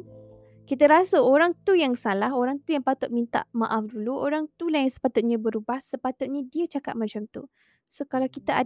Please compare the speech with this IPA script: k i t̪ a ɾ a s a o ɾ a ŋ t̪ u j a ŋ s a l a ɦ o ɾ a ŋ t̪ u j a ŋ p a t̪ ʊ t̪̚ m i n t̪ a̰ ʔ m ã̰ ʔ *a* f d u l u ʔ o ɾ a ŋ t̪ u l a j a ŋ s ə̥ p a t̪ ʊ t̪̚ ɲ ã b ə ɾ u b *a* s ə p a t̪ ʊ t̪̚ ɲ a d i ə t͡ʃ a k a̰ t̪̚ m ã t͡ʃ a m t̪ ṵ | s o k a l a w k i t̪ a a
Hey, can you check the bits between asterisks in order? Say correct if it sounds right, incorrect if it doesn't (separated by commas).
correct, correct